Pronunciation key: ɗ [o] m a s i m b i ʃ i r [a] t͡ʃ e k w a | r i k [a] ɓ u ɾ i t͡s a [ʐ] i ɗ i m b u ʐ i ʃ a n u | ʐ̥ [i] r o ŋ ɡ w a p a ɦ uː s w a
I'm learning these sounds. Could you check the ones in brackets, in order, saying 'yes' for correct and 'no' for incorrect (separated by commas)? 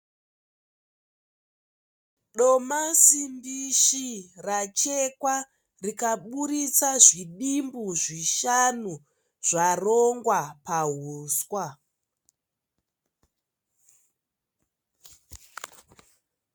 yes, yes, yes, yes, no